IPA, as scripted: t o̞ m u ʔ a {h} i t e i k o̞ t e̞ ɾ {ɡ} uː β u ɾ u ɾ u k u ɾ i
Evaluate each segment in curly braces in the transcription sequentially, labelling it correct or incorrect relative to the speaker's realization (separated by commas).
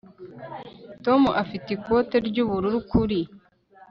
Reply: incorrect, incorrect